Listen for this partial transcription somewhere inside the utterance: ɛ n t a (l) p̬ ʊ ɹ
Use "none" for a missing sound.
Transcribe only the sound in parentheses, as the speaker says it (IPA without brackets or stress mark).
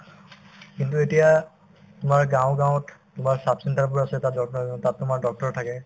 ɹ